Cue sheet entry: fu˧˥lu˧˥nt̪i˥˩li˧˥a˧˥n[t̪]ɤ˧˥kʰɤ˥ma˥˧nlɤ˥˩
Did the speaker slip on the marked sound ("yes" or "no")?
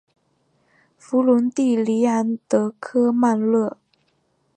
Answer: no